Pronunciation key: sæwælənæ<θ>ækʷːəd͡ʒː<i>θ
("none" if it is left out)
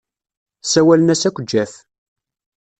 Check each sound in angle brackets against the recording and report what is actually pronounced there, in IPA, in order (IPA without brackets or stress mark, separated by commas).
s, æ